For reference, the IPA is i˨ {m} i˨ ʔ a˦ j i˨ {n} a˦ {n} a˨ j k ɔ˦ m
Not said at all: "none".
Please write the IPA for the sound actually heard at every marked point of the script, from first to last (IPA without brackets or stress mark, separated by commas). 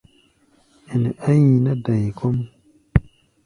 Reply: n, n, d